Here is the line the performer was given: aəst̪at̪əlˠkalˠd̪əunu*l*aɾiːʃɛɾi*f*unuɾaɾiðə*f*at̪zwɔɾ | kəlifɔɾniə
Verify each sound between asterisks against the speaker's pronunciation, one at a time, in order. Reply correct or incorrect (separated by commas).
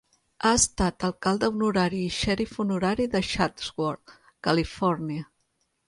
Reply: incorrect, correct, incorrect